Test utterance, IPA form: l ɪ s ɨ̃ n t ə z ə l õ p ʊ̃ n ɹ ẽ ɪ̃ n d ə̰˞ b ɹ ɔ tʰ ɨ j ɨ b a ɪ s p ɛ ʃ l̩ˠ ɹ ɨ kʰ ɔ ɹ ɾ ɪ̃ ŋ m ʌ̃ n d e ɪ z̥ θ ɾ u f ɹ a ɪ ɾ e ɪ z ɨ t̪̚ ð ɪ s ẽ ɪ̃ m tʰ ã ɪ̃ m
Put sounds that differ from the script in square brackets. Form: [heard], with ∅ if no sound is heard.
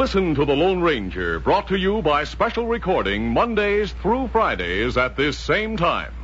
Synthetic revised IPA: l ɪ s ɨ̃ n t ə [ð] ə l õ [∅] ʊ̃ n ɹ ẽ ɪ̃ n [d͡ʒ] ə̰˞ b ɹ ɔ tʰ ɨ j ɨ b a ɪ s p ɛ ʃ l̩ˠ ɹ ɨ kʰ ɔ ɹ ɾ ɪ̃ ŋ m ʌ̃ n d e ɪ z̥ θ [ɹ] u f ɹ a ɪ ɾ e ɪ z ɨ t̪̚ ð ɪ s ẽ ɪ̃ m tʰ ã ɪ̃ m